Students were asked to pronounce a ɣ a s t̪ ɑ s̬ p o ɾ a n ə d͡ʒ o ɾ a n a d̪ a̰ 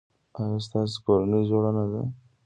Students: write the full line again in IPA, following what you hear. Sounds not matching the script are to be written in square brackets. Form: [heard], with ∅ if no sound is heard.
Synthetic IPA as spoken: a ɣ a s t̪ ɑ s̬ [k] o ɾ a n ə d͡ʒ o [ɽ] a n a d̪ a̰